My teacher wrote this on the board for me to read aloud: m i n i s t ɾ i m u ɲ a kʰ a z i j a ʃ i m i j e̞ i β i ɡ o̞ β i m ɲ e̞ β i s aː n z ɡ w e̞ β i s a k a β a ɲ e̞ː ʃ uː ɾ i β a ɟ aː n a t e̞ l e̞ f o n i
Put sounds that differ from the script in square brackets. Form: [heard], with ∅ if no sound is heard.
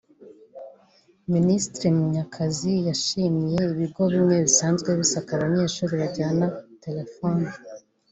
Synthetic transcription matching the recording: m i n i s t ɾ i m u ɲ a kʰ a z i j a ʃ i m i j e̞ i β i ɡ o̞ β i m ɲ e̞ β i s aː n z ɡ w e̞ β i s a k a β a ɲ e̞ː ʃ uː ɾ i β a ɟ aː n a t e̞ l e̞ f o n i

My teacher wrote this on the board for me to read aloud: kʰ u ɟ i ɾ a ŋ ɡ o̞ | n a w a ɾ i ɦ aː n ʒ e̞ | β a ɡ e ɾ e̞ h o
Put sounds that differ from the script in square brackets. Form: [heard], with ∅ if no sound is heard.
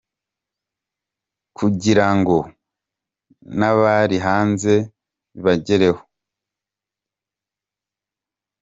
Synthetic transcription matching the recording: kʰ u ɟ i ɾ a ŋ ɡ o̞ | n a [β] a ɾ i ɦ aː n [z] e̞ | β a [ɟ] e ɾ e̞ h o

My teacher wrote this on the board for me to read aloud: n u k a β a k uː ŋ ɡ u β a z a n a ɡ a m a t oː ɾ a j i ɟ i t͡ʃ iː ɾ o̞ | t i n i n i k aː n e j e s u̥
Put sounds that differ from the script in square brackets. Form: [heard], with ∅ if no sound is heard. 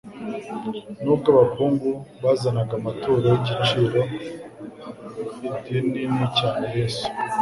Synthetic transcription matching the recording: n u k a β a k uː ŋ ɡ u β a z a n a ɡ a m a t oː ɾ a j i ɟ i t͡ʃ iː ɾ o̞ | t i n i n i [c] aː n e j e s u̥

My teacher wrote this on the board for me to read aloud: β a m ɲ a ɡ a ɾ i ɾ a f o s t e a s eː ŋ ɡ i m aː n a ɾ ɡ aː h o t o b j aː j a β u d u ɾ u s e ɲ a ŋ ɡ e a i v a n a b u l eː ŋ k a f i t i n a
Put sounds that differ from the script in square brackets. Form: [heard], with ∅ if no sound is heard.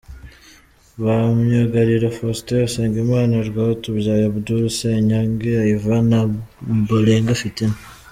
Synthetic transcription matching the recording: β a m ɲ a ɡ a ɾ i ɾ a f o s t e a s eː ŋ ɡ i m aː n a ɾ ɡ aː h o t [u] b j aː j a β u d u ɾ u s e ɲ a ŋ ɡ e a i v a n a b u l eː ŋ [ɡ] a f i t i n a

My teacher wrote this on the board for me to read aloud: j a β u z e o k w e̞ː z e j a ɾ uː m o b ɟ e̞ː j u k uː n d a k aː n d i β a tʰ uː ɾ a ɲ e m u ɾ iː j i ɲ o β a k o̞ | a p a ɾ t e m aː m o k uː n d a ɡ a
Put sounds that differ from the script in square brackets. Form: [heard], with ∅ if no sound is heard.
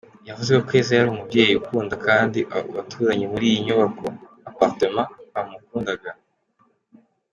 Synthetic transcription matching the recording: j a [v] u z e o k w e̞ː z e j a ɾ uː m [u] b ɟ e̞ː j u k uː n d a k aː n d i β a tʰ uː ɾ a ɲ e m u ɾ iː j i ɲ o β a k o̞ | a p a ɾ t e m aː m [u] k uː n d a ɡ a

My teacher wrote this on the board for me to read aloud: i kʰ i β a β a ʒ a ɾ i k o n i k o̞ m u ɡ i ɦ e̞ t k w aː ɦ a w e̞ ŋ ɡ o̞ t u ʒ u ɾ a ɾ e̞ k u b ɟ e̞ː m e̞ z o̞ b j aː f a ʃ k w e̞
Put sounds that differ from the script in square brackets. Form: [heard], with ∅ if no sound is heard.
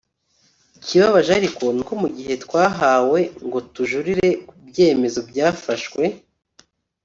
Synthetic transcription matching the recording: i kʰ i β a β a ʒ a ɾ i k o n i k o̞ m u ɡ i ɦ e̞ t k w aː ɦ a w e̞ ŋ ɡ o̞ t u ʒ u ɾ [i] ɾ e̞ k u b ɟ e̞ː m e̞ z o̞ b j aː f a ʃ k w e̞

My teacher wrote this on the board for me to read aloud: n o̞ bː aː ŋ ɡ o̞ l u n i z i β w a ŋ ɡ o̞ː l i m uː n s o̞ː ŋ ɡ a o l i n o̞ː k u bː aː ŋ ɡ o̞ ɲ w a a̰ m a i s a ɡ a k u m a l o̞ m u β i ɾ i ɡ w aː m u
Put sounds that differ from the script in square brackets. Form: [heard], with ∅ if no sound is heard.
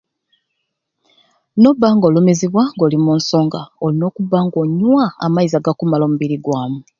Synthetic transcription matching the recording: n o̞ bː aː ŋ ɡ o̞ l u [m] i z i β w a ŋ ɡ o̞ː l i m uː n s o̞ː ŋ ɡ a o l i n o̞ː k u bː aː ŋ ɡ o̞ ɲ w a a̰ m a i [z] a ɡ a k u m a l o̞ m u β i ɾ i ɡ w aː m u

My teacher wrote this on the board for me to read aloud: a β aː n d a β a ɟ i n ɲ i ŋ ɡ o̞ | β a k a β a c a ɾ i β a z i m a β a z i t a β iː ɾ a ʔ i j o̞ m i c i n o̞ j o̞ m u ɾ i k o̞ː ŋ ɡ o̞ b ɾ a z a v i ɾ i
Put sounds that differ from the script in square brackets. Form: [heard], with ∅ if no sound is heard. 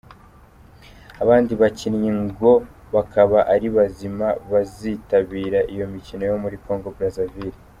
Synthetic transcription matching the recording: a β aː n d [i] β a [c] i n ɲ i ŋ ɡ o̞ | β a k a β a [ʔ] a ɾ i β a z i m a β a z i t a β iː ɾ a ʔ i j o̞ m i c i n o̞ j o̞ m u ɾ i k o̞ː ŋ ɡ o̞ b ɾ a z a v i ɾ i

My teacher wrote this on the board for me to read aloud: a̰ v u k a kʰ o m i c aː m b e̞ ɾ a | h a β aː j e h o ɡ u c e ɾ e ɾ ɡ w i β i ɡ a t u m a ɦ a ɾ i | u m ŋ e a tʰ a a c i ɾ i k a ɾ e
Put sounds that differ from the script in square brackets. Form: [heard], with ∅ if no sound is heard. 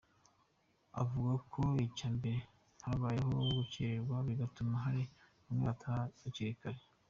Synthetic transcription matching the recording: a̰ v u [ɡ] a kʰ o [∅] i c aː m b e̞ ɾ [e] | h a β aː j e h o ɡ u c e ɾ e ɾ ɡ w [a] β i ɡ a t u m a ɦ a ɾ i | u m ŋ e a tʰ a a c i ɾ i k a ɾ e

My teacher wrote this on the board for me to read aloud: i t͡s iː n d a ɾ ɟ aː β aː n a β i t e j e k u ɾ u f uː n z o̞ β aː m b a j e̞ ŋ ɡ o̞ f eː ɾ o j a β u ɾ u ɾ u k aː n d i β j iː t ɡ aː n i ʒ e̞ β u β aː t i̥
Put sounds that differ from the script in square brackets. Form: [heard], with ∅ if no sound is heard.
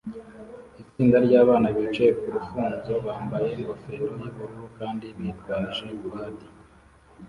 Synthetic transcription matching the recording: i t͡s iː n d a ɾ ɟ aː β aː n a β i [t͡ʃ] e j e k u ɾ u f uː n z o̞ β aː m b a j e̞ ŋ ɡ o̞ f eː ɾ o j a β u ɾ u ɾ u k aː n d i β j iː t ɡ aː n i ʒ e̞ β u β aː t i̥

